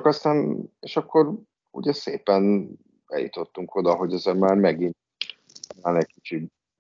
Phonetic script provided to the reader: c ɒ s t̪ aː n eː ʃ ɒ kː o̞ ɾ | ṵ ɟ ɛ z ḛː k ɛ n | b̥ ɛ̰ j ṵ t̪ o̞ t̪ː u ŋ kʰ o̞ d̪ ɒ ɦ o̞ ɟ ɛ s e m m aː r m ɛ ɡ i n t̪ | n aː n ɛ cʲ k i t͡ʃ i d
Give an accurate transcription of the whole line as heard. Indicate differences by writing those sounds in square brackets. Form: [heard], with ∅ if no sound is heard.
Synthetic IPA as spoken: [k] ɒ s t̪ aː n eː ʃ ɒ kː o̞ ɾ | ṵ ɟ ɛ [s] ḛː [p] ɛ n | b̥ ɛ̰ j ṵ t̪ o̞ t̪ː u ŋ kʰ o̞ d̪ ɒ ɦ o̞ ɟ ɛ [z] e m m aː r m ɛ ɡ i n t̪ | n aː n ɛ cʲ k i t͡ʃ i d